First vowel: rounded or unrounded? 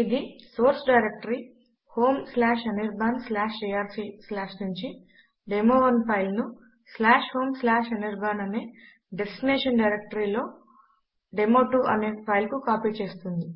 unrounded